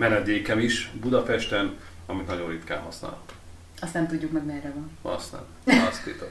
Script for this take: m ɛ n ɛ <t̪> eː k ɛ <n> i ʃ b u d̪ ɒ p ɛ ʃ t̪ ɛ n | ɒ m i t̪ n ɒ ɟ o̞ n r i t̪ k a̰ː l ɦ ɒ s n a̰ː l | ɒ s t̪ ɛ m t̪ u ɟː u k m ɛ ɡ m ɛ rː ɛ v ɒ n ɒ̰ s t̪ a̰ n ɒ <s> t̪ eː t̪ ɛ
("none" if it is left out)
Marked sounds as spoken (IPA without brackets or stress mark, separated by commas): d̪, m, s